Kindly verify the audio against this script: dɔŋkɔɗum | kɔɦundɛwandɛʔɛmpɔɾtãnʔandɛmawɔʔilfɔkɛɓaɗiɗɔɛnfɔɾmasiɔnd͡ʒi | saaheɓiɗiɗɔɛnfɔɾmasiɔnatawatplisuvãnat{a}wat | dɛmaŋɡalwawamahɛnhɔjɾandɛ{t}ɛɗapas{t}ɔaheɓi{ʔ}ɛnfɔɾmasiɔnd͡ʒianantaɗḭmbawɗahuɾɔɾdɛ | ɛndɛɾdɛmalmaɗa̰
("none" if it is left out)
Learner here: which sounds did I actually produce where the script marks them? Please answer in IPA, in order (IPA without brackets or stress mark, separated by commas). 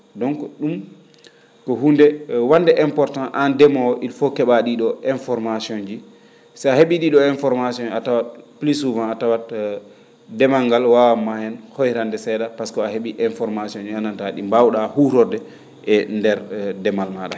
a, s, k, ʔ